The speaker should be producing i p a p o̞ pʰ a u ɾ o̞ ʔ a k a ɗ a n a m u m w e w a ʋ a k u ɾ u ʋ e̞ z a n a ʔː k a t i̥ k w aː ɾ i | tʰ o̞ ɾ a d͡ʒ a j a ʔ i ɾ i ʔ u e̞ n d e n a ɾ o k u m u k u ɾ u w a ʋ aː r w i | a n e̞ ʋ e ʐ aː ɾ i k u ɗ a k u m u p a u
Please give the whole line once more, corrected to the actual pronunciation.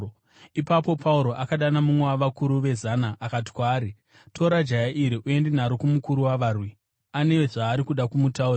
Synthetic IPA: i p a p o̞ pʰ a u ɾ o̞ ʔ a k a ɗ a n a m u m w e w a ʋ a k u ɾ u ʋ e̞ z a n a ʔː k a t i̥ k w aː ɾ i | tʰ o̞ ɾ a d͡ʒ a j a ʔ i ɾ i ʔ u e̞ n d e n a ɾ o k u m u k u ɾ u w a ʋ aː r w i | a n e̞ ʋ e ʐ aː ɾ i k u ɗ a k u m u t a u

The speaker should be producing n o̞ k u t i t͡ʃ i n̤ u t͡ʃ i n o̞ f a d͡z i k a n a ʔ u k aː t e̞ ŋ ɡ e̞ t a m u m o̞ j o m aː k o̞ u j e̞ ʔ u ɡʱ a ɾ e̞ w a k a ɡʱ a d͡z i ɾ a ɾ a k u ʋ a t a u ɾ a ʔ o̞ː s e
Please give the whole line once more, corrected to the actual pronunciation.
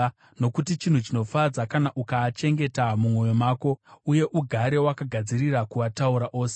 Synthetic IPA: n o̞ k u t i t͡ʃ i n̤ u t͡ʃ i n o̞ f a d͡z a k a n a ʔ u k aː t͡ʃ e̞ ŋ ɡ e̞ t a m u m o̞ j o m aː k o̞ u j e̞ ʔ u ɡʱ a ɾ e̞ w a k a ɡʱ a d͡z i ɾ i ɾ a k u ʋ a t a u ɾ a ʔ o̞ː s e

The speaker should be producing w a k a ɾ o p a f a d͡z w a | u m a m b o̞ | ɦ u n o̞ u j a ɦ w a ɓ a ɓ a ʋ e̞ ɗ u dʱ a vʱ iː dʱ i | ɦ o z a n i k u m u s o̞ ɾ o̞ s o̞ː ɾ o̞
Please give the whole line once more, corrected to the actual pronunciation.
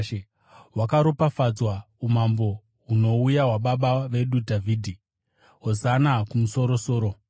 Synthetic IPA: w a k a ɾ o p a f a d͡z w a | u m a m b o̞ | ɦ u n o̞ u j a ɦ w a ɓ a ɓ a ʋ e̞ ɗ u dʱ a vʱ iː dʱ i | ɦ o z a n a k u m u s o̞ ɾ o̞ s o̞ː ɾ o̞

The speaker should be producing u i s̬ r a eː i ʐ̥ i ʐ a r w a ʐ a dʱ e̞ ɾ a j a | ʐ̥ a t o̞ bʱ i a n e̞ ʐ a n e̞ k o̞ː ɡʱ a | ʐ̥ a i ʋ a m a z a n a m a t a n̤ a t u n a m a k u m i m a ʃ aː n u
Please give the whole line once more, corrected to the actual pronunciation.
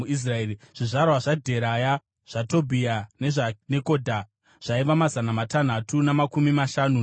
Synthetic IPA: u i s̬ r a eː i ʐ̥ i ʐ a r w a ʐ a dʱ e̞ ɾ a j a | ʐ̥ a t o̞ bʱ i a n e̞ ʐ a n e̞ k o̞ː dʱ a | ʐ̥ a i ʋ a m a z a n a m a t a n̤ a t u n a m a k u m i m a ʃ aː n u

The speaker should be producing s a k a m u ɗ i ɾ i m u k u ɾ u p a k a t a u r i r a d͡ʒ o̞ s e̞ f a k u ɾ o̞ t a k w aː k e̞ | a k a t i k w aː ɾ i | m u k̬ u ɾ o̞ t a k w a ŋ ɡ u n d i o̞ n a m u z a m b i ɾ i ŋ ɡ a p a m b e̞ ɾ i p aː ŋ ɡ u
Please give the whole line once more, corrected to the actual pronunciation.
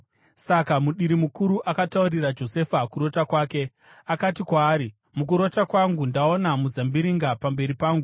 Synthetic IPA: s a k a m u ɗ i ɾ i m u k u ɾ u ʔ a k a t a u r i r a d͡ʒ o̞ s e̞ f a k u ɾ o̞ t a k w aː k e̞ | a k a t i k w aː ɾ i | m u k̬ u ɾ o̞ t a k w a ŋ ɡ u n d a o̞ n a m u z a m b i ɾ i ŋ ɡ a p a m b e̞ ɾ i p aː ŋ ɡ u

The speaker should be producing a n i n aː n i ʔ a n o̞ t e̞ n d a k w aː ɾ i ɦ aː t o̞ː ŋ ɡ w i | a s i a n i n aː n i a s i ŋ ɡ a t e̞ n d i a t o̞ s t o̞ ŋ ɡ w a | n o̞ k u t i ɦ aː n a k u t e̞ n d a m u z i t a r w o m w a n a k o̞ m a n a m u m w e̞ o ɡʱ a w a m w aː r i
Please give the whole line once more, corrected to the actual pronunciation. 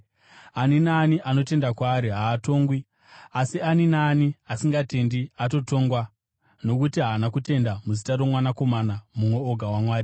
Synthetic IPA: a n i n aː n i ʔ a n o̞ t e̞ n d a k w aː ɾ i ɦ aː t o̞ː ŋ ɡ w i | a s i a n i n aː n i a s i ŋ ɡ a t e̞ n d i a t o̞ t o̞ ŋ ɡ w a | n o̞ k u t i ɦ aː n a k u t e̞ n d a m u z i t a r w o m w a n a k o̞ m a n a m u m w e̞ o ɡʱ a w a m w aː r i

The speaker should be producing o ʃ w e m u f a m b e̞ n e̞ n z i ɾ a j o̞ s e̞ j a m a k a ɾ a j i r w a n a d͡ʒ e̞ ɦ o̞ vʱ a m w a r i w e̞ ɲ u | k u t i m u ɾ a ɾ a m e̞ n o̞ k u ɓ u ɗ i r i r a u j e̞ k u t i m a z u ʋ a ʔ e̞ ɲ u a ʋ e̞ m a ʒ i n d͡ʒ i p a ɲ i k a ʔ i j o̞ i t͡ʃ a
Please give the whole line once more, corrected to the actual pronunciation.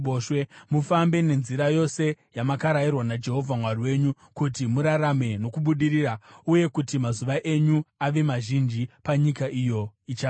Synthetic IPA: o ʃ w e m u f a m b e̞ n e̞ n z i ɾ a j o̞ s e̞ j a m a k a ɾ a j i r w a n a d͡ʒ e̞ ɦ o̞ vʱ a m w a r i w e̞ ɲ u | k u t i m u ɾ a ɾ a m e̞ n o̞ k u ɓ u ɗ i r i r a u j e̞ k u t i m a z u ʋ a ʔ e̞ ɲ u a ʋ e̞ m a ʒ i n d͡ʒ i p a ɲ i k a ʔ i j o̞ i t͡ʃ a

